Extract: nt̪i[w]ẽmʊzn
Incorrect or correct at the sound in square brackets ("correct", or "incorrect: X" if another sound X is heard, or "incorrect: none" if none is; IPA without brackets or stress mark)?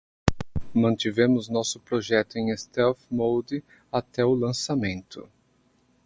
incorrect: v